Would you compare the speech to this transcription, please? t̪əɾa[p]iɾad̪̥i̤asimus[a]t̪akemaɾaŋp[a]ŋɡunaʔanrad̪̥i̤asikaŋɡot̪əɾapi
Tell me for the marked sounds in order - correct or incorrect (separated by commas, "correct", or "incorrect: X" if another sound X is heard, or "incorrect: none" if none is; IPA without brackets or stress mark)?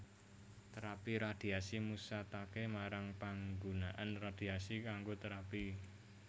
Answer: correct, correct, correct